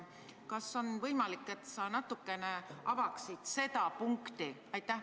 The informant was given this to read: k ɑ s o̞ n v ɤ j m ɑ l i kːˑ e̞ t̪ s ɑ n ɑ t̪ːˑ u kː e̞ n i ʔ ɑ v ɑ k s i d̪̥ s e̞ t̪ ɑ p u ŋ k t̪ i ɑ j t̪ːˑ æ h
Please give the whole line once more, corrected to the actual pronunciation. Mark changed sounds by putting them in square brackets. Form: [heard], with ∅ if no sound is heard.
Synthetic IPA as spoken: k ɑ s o̞ n v ɤ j m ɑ l i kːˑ e̞ t̪ s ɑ n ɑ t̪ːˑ u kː e̞ n [e] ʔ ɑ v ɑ k s i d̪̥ s e̞ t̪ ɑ p u ŋ k t̪ i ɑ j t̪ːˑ æ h

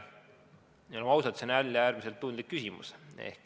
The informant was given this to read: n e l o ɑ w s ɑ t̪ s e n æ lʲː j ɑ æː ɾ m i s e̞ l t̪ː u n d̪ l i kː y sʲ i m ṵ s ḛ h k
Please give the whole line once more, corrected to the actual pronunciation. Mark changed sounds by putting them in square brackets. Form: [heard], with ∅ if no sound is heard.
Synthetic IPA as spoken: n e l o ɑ w s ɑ t̪ s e n æ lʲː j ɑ æː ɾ m i s e̞ l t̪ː u n d̪ l i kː y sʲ i m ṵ s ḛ h k

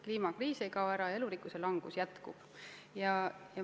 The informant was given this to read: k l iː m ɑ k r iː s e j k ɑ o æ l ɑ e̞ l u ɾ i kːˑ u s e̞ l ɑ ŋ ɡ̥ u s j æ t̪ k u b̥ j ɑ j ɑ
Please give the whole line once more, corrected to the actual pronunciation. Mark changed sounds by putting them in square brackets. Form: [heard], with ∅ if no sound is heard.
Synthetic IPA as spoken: k l iː m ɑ k r iː s e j k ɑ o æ [ɾ] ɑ e̞ l u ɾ i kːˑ u s e̞ l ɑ ŋ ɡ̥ u s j æ t̪ k u b̥ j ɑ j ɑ

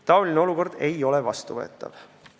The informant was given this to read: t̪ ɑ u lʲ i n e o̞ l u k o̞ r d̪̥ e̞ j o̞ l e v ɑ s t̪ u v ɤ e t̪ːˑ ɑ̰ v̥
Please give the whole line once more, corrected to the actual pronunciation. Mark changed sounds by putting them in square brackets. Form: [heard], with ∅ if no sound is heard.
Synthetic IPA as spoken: t̪ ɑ [o] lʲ i n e o̞ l u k o̞ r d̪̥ e̞ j o̞ l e v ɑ s t̪ u v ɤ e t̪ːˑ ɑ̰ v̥

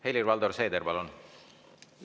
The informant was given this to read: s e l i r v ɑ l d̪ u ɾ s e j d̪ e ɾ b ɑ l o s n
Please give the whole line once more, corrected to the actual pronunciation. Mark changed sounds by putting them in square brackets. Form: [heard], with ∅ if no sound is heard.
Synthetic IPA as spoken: [h] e l i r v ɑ l d̪ [o] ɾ s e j d̪ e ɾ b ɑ l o [∅] n

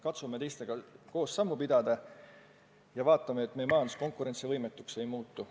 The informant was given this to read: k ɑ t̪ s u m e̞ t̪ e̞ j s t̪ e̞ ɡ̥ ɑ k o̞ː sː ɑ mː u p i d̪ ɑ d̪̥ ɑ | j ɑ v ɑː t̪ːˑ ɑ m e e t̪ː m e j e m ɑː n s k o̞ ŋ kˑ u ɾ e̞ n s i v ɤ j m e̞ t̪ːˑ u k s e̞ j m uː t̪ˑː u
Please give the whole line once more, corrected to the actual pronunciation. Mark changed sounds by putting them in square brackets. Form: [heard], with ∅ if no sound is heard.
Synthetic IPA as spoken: k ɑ t̪ s u m e̞ t̪ e̞ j s t̪ e̞ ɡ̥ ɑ k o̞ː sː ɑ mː u p i d̪ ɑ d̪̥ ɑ | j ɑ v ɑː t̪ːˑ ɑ m e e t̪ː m e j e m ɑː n s k o̞ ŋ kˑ u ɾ e̞ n s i v ɤ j m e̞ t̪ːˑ u k s e̞ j m uː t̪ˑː u

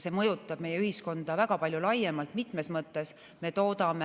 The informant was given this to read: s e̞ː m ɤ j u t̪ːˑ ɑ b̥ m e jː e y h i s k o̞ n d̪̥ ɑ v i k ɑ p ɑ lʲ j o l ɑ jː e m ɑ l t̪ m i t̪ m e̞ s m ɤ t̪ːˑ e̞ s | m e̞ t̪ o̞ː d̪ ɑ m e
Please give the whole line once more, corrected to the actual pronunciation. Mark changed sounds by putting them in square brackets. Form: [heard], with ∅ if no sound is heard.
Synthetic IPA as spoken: s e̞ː m ɤ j u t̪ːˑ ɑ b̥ m e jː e y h i s k o̞ n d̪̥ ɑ v [æ] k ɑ p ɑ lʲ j [u] l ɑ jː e m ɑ l t̪ m i t̪ m e̞ s m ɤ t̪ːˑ e̞ s | m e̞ t̪ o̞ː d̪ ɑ m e

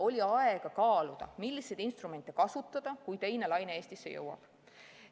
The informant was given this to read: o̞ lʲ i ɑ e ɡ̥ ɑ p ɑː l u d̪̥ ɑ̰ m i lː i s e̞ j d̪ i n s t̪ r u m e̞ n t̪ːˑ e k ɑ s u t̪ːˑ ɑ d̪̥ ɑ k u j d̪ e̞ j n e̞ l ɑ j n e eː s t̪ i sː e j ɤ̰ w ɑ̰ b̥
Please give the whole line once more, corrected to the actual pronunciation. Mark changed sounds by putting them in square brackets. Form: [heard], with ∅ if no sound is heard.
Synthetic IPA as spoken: o̞ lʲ i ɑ e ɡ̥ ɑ [k] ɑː l u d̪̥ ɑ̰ m i lː i s e̞ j d̪ i n s t̪ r u m e̞ n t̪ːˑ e k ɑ s u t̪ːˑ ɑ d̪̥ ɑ k u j [t̪] e̞ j n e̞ l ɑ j n e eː s t̪ i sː e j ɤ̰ w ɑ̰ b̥

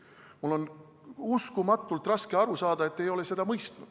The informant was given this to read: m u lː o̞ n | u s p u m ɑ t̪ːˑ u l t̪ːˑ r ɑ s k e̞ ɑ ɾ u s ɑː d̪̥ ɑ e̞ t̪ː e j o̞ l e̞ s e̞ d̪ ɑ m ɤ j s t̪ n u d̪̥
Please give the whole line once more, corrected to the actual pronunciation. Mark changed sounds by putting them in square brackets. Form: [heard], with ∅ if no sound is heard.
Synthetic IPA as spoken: m u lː o̞ n | u s [k] u m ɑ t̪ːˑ u l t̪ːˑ r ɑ s k e̞ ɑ ɾ u s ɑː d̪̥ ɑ e̞ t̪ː e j o̞ l e̞ s e̞ d̪ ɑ m ɤ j s t̪ n u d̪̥

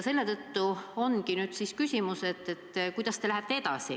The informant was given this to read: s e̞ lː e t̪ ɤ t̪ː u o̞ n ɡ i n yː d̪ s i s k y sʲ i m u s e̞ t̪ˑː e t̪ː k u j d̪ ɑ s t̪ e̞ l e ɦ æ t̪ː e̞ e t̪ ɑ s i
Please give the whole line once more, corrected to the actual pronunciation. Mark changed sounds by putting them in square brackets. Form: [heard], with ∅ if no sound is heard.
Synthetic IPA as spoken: s e̞ lː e t̪ ɤ t̪ː u o̞ n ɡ i n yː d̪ s i s k y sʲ i m u s e̞ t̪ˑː e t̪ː k u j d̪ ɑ s t̪ e̞ l [æ] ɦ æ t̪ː e̞ e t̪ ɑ s i

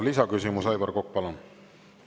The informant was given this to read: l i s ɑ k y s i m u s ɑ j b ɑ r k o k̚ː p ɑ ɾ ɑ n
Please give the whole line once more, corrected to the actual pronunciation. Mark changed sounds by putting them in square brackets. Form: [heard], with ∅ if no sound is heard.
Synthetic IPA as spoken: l i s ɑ k y s i m u s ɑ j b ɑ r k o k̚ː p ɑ [l] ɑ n

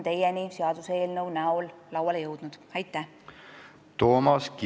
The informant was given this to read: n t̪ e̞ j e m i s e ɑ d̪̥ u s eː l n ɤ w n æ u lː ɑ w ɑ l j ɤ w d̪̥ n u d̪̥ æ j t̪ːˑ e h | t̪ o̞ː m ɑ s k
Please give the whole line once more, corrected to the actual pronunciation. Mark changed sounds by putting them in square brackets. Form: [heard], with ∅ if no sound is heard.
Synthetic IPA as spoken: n t̪ e̞ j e [n] i s e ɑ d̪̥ u s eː l n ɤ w n æ [o] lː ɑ w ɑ l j ɤ w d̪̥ n u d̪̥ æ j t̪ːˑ [æ] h | t̪ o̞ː m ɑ s k

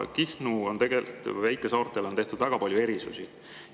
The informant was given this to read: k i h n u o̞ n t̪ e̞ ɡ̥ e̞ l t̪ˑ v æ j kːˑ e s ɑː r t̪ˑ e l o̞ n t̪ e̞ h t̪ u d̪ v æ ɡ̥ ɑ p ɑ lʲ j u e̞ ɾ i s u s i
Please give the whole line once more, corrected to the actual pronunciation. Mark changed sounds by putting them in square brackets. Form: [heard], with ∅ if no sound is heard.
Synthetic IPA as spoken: k i h n u o̞ n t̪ e̞ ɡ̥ e̞ l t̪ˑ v æ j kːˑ e s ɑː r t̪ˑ e l o̞ n t̪ e̞ h t̪ u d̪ v æ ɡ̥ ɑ p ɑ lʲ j u e̞ ɾ i s u s i

